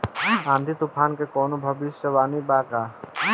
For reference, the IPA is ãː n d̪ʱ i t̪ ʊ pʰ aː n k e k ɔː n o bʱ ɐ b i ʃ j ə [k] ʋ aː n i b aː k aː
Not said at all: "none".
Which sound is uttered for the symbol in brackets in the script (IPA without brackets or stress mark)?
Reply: none